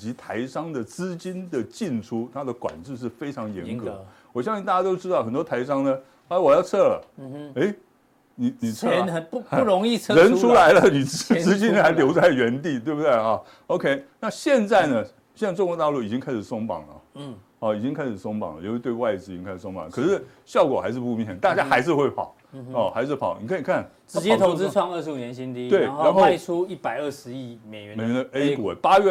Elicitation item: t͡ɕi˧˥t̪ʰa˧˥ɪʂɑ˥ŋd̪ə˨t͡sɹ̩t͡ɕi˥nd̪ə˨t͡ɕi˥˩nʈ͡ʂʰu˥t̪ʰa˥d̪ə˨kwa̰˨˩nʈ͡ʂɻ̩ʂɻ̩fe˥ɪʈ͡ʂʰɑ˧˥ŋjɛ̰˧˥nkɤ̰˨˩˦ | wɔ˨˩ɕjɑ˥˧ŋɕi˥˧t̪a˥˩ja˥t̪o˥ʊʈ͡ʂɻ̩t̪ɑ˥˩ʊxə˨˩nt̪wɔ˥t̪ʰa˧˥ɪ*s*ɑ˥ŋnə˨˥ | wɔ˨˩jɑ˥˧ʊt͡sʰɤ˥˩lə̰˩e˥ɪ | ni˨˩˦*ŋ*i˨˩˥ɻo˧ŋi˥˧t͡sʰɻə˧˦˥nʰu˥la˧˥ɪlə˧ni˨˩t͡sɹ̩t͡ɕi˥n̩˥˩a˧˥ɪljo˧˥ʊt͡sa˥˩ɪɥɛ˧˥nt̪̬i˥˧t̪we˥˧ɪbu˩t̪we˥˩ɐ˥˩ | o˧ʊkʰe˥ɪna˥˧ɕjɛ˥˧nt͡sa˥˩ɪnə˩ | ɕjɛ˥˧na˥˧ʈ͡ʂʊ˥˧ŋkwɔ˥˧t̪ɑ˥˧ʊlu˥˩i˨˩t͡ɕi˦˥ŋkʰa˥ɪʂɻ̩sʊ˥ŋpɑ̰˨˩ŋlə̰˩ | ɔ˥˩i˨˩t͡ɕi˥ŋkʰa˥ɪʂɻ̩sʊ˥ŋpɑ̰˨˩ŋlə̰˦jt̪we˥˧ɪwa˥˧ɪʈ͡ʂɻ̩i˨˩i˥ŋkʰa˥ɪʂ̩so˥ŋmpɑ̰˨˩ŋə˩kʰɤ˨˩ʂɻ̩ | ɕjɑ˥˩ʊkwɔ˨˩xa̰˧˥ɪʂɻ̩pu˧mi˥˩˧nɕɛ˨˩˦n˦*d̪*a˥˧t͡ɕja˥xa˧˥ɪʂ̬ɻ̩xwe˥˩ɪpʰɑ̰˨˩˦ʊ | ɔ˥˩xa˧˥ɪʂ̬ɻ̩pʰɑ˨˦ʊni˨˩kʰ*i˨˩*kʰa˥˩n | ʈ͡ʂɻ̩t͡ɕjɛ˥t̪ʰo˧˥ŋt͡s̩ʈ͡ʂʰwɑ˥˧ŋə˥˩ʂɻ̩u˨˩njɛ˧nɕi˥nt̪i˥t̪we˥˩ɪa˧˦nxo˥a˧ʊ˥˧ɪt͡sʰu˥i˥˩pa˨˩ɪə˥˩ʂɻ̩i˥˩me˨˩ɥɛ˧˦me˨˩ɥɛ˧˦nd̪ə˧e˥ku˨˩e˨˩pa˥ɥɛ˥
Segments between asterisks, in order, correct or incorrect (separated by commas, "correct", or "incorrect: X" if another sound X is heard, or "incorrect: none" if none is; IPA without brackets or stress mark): incorrect: ʂ, incorrect: n, incorrect: t̪, correct